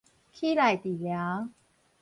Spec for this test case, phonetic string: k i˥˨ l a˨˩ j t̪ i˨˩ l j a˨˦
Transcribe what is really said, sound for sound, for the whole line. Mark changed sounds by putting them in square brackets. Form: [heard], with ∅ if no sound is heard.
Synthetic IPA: [kʰ] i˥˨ l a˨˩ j t̪ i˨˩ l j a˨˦

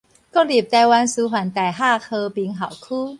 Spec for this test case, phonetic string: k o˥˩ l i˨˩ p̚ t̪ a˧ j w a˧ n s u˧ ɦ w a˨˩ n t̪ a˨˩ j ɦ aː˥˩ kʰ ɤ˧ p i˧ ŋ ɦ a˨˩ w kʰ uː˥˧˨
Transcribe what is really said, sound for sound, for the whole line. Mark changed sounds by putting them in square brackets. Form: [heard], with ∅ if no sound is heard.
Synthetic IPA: k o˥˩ l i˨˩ p̚ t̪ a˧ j w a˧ n s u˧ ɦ w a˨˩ n t̪ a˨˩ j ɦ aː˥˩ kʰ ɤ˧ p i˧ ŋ ɦ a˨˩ w kʰ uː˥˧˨

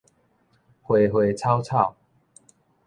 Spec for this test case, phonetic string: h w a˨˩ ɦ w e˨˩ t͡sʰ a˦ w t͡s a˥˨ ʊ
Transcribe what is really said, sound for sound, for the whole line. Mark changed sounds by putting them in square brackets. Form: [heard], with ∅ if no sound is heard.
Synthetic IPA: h w [e˨˩] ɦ w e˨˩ t͡sʰ a˦ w [t͡sʰ] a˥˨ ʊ

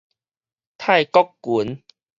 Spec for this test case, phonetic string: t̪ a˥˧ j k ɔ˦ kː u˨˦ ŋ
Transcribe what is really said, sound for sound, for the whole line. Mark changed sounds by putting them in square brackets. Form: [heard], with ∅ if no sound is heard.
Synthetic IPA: [t̪ʰ] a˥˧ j k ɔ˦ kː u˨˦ [n]

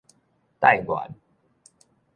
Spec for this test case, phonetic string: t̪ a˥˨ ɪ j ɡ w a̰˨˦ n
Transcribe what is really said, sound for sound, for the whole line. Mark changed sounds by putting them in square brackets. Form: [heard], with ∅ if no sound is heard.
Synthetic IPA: t̪ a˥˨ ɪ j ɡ w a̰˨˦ n

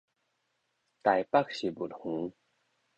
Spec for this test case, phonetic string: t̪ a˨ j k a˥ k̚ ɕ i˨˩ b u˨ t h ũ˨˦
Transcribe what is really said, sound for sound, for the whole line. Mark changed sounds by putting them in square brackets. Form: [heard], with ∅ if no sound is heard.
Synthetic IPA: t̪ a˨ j [p] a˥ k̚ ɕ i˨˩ b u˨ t h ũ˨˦

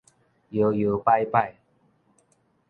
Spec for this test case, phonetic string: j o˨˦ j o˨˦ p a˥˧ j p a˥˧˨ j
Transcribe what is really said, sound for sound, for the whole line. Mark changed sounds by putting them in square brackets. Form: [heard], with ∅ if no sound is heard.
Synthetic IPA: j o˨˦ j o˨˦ p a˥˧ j p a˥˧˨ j

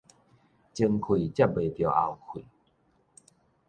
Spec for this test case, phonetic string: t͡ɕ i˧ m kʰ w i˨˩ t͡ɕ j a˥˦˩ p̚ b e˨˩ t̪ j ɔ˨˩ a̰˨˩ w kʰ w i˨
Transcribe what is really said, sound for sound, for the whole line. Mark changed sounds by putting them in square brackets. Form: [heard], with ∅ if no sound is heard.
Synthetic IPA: t͡ɕ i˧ [ŋ] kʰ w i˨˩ t͡ɕ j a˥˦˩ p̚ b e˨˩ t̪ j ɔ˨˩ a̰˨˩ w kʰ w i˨

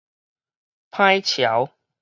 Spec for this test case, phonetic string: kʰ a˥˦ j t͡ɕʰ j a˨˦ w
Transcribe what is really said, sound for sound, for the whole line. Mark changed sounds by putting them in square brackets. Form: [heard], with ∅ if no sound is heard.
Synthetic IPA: [pʰ] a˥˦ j t͡ɕʰ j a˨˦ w

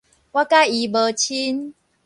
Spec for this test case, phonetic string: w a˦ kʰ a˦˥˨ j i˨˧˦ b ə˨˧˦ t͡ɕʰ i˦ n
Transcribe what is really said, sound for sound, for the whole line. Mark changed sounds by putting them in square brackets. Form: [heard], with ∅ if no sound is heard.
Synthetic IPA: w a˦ [k] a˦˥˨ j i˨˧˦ b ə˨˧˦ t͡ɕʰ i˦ n

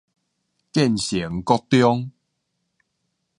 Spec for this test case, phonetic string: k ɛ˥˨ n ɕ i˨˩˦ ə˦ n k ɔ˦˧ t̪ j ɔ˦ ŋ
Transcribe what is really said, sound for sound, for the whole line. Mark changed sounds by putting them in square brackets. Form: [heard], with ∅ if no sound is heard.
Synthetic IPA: k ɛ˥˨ n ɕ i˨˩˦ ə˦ [ŋ] k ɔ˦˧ t̪ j ɔ˦ ŋ

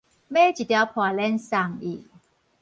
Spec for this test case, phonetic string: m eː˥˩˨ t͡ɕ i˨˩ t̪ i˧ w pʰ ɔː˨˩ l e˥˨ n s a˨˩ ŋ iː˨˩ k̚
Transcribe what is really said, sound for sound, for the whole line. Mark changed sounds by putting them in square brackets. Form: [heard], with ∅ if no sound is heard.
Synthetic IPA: m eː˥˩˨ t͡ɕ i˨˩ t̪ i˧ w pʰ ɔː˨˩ l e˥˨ n s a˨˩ ŋ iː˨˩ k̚

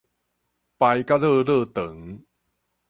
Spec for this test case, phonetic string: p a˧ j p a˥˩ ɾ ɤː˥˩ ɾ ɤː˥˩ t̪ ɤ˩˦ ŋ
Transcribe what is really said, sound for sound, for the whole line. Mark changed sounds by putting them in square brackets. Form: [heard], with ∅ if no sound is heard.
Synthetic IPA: p a˧ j [k] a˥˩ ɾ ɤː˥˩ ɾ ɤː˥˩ t̪ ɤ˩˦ ŋ

